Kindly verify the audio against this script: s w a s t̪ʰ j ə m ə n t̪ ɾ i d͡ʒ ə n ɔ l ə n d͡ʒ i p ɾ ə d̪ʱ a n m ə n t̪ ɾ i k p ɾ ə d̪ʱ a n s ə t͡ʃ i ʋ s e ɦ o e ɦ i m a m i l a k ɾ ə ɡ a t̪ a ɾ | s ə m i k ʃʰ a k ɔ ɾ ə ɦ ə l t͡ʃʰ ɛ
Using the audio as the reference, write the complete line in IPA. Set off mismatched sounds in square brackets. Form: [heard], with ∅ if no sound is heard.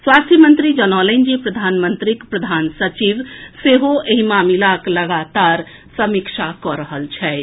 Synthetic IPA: s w a s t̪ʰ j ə m ə n t̪ ɾ i d͡ʒ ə n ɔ l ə n d͡ʒ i p ɾ ə d̪ʱ a n m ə n t̪ ɾ i k p ɾ ə d̪ʱ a n s ə t͡ʃ i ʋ s e ɦ o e ɦ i m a m i l a k [l] ə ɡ a t̪ a ɾ | s ə m i k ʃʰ a k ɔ ɾ ə ɦ ə l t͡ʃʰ ɛ